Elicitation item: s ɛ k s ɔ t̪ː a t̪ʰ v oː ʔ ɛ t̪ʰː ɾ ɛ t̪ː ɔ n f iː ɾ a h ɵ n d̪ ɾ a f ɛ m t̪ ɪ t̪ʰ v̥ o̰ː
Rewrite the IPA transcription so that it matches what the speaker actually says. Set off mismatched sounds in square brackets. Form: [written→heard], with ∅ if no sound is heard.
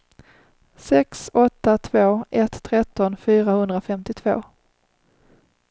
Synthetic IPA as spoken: s ɛ k s ɔ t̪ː a t̪ʰ v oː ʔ ɛ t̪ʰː ɾ ɛ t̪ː ɔ n f [iː→yː] ɾ a h ɵ n d̪ ɾ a f ɛ m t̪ ɪ t̪ʰ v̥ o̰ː